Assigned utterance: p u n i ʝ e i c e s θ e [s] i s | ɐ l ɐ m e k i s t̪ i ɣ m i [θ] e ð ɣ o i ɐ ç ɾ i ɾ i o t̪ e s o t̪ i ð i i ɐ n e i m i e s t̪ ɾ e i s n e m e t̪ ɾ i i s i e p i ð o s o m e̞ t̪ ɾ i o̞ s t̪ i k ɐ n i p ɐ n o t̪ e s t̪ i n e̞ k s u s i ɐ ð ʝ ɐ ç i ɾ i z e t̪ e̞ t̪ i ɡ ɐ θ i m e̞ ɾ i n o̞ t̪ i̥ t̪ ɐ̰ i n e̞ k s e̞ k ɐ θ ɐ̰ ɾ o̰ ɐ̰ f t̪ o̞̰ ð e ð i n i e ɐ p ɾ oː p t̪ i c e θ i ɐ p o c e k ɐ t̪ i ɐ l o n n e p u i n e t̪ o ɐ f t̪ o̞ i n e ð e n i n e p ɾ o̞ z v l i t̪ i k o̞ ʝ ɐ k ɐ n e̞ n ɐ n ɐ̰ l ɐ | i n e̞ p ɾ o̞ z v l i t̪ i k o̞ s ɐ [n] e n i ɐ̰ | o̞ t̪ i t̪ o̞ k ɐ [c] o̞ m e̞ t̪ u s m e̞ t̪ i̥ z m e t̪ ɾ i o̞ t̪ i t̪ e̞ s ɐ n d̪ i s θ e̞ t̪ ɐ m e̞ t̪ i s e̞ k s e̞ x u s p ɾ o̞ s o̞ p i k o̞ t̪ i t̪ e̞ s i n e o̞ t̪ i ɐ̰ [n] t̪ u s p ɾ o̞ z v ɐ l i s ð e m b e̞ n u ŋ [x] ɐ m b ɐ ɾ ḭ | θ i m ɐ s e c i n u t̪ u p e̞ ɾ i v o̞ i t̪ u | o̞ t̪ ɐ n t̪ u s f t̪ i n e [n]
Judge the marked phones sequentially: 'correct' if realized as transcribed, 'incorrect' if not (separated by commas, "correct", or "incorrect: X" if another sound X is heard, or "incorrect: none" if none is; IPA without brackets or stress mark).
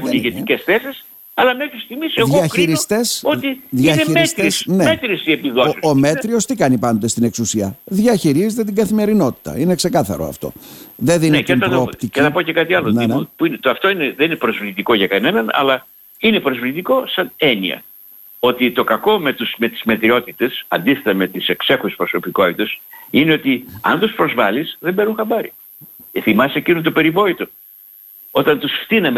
correct, incorrect: s, correct, incorrect: k, correct, correct, incorrect: m